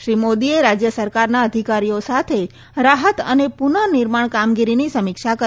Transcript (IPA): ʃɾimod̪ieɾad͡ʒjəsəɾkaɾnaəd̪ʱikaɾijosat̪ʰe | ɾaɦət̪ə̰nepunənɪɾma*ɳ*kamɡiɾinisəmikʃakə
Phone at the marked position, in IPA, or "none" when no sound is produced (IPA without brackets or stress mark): ɳ